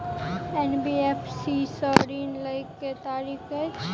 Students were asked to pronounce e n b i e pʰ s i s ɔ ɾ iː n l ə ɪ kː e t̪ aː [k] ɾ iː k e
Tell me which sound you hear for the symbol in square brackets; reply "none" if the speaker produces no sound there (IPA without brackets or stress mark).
none